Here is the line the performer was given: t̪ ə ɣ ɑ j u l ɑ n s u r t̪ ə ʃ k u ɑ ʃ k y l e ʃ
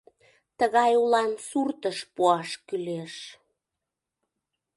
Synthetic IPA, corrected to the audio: t̪ ə ɣ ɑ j u l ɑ n s u r t̪ ə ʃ p u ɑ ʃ k y l e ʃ